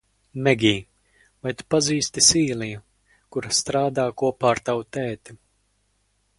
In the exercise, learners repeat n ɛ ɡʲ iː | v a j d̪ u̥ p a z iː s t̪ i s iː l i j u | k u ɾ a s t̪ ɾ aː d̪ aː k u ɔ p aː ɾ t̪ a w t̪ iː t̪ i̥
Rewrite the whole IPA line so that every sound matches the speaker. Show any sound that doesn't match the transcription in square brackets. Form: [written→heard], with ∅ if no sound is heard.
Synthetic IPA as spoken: [n→m] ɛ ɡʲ iː | v a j [d̪→t̪] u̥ p a z iː s t̪ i s iː l i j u | k u ɾ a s t̪ ɾ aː d̪ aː k u ɔ p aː ɾ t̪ a w t̪ [iː→ɛː] t̪ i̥